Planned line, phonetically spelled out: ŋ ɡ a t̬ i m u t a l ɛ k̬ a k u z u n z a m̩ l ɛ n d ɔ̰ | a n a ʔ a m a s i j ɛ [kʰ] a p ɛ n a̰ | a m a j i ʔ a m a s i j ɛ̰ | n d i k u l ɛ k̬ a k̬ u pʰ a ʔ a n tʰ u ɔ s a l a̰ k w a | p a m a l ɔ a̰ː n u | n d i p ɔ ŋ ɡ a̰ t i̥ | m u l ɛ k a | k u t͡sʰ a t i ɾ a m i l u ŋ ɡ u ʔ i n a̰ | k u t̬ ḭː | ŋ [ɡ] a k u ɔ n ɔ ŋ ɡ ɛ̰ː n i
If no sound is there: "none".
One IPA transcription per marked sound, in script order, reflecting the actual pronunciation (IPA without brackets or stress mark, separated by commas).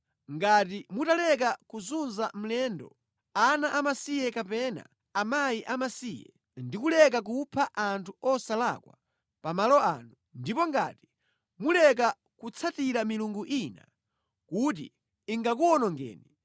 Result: k, ɡ